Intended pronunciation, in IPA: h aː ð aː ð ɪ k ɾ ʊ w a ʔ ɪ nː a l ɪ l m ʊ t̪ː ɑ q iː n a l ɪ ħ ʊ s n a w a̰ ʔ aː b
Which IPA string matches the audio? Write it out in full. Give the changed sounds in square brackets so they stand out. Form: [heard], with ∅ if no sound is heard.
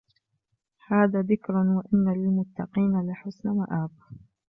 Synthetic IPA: h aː ð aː ð ɪ k ɾ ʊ w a ʔ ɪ nː a l ɪ l m ʊ t̪ː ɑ q iː n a l ɪ ħ ʊ s n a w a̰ ʔ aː b